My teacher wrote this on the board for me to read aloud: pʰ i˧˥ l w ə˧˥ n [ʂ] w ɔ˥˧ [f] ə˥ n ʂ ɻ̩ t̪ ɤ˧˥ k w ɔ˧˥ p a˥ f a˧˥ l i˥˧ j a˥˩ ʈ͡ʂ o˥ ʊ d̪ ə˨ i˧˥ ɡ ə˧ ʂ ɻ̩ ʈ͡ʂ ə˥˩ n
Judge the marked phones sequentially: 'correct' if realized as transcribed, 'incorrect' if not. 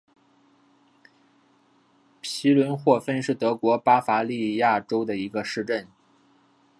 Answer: incorrect: x, correct

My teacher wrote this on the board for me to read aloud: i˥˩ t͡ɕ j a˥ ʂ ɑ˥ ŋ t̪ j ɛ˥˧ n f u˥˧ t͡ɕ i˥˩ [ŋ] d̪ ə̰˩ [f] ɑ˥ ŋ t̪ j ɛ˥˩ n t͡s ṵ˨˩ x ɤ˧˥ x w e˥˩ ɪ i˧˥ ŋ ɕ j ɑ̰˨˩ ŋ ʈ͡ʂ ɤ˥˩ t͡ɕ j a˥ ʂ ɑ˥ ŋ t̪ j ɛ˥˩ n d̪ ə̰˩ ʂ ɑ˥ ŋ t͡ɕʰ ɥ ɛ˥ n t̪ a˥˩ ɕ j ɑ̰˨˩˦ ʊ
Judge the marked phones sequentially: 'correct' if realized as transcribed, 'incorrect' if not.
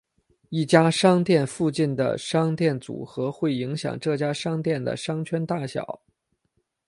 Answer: incorrect: n, incorrect: ʂ

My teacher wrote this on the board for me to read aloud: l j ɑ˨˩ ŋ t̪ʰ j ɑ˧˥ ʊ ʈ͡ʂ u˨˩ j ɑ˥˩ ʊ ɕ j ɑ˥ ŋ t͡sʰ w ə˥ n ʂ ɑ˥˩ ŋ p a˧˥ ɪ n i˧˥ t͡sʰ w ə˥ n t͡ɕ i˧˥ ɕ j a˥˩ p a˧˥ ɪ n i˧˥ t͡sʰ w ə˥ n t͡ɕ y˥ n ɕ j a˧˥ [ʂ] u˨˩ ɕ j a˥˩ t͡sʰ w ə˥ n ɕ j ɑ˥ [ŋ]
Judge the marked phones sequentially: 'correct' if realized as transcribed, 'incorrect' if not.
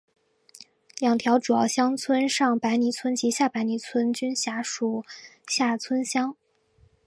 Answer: correct, correct

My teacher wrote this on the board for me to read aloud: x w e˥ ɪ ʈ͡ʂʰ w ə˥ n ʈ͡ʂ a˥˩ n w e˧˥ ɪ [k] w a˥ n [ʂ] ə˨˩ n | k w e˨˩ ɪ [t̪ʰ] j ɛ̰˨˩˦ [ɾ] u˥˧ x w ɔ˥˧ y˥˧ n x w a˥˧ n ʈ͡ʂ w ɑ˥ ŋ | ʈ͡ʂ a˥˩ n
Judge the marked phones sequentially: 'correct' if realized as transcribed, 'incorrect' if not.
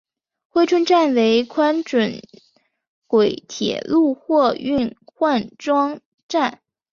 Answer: incorrect: kʰ, incorrect: ʈ͡ʂ, correct, incorrect: l

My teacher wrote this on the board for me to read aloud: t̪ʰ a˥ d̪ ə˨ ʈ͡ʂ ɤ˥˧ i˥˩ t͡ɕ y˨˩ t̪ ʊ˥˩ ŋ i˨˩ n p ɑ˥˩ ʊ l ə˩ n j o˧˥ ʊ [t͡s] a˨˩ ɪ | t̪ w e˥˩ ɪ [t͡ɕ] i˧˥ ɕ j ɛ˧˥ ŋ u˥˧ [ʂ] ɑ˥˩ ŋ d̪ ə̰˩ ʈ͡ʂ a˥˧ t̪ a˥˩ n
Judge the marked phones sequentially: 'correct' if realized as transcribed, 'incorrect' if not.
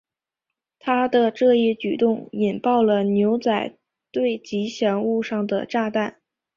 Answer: correct, correct, correct

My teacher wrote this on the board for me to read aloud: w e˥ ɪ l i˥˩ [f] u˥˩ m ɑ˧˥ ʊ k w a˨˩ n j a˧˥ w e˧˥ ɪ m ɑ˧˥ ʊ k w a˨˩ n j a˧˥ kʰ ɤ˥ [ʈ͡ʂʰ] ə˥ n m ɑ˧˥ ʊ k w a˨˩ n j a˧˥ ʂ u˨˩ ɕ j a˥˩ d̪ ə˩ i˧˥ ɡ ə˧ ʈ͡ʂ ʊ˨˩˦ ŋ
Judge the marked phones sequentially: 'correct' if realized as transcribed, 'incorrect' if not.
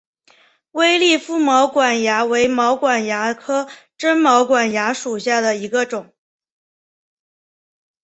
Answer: correct, incorrect: ʈ͡ʂ

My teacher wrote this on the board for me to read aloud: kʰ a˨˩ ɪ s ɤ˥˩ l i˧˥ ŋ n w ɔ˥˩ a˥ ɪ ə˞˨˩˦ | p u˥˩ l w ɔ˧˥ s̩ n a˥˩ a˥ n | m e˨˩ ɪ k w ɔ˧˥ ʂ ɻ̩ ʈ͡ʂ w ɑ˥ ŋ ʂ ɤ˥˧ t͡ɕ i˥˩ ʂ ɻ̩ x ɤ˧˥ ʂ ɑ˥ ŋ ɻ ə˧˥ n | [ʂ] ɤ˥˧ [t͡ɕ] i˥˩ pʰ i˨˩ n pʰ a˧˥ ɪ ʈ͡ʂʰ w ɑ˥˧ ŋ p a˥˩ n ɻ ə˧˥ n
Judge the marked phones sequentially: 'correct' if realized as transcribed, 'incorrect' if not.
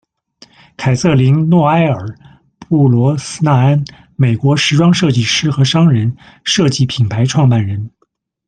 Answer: correct, correct

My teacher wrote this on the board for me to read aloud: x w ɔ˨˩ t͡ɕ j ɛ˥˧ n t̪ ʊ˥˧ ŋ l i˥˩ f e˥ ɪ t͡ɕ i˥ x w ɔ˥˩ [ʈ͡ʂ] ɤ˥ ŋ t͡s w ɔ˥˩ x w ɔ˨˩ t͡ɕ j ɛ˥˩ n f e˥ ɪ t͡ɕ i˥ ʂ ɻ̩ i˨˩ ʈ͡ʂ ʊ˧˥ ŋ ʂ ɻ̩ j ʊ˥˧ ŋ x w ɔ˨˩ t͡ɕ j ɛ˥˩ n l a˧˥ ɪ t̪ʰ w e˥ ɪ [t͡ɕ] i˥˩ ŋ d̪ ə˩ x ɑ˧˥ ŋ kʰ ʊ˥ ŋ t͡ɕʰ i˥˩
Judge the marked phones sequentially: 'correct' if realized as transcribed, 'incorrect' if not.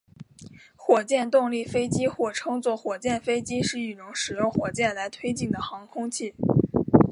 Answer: incorrect: ʈ͡ʂʰ, correct

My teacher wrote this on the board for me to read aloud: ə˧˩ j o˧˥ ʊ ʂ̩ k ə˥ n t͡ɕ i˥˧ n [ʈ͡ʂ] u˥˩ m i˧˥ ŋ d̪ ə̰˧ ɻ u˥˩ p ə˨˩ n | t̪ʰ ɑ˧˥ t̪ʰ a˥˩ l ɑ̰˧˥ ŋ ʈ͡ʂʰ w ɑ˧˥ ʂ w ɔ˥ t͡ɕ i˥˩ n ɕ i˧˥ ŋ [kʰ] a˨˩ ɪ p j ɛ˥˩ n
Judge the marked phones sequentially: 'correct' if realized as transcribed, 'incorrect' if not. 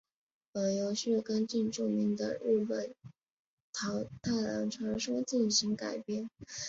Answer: correct, incorrect: k

